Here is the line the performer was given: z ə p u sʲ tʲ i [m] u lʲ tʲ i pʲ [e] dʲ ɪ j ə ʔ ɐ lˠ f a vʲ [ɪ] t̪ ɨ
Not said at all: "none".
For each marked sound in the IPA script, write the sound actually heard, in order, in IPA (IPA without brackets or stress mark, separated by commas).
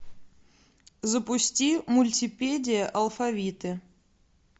m, e, i